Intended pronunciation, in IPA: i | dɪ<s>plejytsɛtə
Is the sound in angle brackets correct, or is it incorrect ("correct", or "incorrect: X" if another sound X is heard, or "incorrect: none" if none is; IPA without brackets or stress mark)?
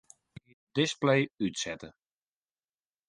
correct